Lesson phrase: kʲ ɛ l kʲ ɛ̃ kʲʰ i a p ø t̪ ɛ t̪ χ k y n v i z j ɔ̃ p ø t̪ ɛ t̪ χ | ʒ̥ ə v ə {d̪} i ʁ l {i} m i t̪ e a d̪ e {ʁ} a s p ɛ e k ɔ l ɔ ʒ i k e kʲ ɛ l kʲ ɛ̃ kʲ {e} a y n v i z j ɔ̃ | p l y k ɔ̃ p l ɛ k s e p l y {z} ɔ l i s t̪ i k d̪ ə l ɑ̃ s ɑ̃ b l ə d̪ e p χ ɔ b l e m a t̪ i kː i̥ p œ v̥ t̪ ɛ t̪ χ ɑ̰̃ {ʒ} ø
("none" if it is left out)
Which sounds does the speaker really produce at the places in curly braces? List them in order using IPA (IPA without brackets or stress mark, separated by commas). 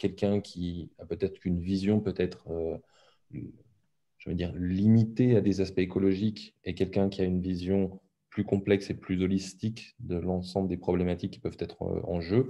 d̪, i, z, i, z, ʒ